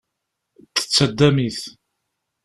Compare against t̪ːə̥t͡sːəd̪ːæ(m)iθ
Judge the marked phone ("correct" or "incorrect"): correct